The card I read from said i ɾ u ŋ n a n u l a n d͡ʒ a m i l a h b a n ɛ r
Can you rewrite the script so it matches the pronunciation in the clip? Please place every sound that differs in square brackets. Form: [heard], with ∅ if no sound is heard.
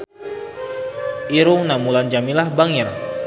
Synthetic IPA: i ɾ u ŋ n a [m] u l a n d͡ʒ a m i l a h b a [ŋ] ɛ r

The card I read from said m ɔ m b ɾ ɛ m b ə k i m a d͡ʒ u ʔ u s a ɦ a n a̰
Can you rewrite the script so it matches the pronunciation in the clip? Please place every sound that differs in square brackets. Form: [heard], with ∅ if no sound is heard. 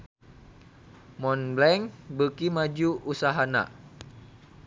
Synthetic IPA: m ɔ [n] b [l] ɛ [ŋ] b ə k i m a d͡ʒ u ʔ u s a ɦ a n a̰

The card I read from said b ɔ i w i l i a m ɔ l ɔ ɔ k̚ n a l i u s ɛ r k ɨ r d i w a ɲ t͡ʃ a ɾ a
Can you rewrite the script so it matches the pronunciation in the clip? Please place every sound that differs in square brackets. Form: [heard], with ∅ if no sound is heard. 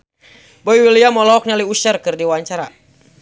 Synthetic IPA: b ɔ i w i l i a m ɔ l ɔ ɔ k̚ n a l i u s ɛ r k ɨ r d i w a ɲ t͡ʃ a ɾ a

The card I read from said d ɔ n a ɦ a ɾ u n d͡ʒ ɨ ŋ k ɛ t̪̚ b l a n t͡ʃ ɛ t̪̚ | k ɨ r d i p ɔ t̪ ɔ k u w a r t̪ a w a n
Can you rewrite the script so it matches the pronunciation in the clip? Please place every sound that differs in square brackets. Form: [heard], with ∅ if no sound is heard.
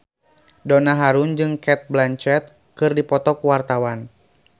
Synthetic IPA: d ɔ n a ɦ a ɾ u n d͡ʒ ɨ ŋ k ɛ t̪̚ b l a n t͡ʃ ɛ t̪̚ | k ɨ r d i p ɔ t̪ ɔ k u w a r t̪ a w a n

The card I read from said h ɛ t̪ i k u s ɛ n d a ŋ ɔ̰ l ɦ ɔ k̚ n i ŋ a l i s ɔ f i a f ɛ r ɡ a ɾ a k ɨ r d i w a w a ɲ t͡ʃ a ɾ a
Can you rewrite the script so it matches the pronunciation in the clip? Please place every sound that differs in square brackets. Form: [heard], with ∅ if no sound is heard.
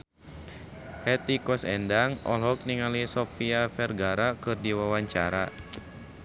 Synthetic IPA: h ɛ t̪ i k [ɔ] s ɛ n d a ŋ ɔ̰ l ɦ ɔ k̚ n i ŋ a l i s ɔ f i a f ɛ r ɡ a ɾ a k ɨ r d i w a w a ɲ t͡ʃ a ɾ a

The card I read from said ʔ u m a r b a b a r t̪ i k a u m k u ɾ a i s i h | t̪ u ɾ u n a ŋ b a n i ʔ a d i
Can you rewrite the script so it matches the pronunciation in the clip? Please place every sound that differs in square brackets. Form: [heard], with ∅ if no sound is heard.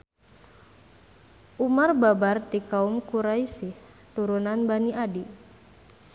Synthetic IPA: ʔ u m a r b a b a r t̪ i k a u m k u ɾ a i s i h | t̪ u ɾ u n a [n] b a n i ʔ a d i

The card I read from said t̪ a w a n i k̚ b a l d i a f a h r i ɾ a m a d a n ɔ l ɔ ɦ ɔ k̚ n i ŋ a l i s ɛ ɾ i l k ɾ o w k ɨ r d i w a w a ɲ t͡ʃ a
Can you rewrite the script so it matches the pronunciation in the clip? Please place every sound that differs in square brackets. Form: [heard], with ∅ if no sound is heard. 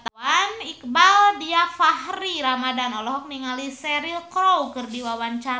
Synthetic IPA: t̪ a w a n i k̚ b a l d i a f a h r i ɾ a m a d a n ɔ l ɔ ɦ ɔ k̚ n i ŋ a l i s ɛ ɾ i l k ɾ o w k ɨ r d i w a w a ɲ t͡ʃ a

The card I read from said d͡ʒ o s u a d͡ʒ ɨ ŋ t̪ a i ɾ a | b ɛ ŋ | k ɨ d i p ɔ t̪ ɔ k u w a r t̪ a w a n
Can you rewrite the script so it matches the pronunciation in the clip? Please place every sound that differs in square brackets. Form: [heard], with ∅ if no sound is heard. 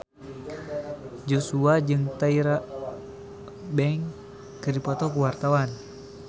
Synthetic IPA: d͡ʒ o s u a d͡ʒ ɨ ŋ t̪ a i ɾ a | b ɛ ŋ | k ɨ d i p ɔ t̪ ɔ k u w a r t̪ a w a n

